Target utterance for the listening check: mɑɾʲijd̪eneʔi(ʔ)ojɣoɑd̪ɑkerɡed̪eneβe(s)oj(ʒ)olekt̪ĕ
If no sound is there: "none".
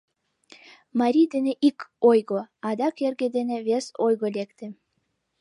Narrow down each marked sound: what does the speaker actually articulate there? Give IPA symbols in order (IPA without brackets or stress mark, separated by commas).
k, s, ɣ